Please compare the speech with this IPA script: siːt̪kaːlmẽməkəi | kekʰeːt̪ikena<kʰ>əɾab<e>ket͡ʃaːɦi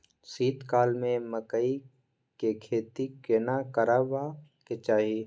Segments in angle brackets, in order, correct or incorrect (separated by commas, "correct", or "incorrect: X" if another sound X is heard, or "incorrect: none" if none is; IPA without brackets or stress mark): incorrect: k, incorrect: a